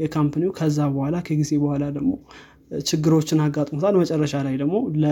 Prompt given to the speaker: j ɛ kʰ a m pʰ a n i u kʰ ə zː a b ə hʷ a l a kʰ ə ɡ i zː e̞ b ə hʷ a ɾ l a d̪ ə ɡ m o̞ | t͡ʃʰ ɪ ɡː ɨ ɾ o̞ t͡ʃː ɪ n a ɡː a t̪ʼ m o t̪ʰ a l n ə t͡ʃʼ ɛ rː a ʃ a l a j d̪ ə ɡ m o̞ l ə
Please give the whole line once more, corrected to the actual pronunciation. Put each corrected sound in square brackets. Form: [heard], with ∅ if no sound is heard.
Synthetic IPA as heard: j ɛ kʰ a m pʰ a n i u kʰ ə zː a b ə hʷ a l a kʰ ə ɡ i [z] e̞ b ə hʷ a [∅] l a d̪ ə ɡ m o̞ | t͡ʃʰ ɪ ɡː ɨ ɾ o̞ t͡ʃː ɪ n a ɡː a t̪ʼ m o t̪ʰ a l [m] ə t͡ʃʼ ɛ rː [ə] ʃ a l a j d̪ ə ɡ m o̞ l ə